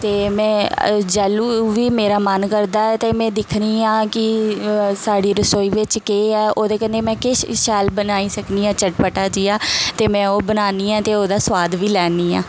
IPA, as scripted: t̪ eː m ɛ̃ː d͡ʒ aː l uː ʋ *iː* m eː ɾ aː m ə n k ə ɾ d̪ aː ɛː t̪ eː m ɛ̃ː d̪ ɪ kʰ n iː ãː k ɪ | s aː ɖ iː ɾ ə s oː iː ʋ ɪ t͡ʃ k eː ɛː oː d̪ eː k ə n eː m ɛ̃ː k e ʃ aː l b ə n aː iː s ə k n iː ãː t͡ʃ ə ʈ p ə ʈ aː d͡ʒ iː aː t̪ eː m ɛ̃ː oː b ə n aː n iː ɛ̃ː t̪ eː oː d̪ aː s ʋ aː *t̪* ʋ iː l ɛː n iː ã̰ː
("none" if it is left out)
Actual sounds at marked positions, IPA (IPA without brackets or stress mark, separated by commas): iː, d̪